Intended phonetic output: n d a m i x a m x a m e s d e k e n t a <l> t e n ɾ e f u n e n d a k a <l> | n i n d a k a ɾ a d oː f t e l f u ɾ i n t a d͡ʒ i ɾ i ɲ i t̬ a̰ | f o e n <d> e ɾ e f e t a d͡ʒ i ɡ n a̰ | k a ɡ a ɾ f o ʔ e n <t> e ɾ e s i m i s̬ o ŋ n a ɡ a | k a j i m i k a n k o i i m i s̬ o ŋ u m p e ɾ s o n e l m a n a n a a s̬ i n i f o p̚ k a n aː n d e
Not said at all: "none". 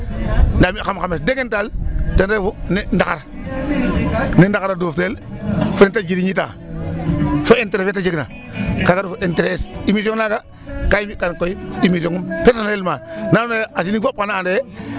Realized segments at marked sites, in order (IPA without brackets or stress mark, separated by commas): l, ɾ, t, t